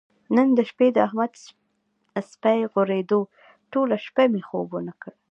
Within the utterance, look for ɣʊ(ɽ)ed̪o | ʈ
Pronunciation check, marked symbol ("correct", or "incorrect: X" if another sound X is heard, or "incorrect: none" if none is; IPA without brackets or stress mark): incorrect: ɾ